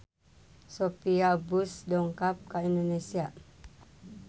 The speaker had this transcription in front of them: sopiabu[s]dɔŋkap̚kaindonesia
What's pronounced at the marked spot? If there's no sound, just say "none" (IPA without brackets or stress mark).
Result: s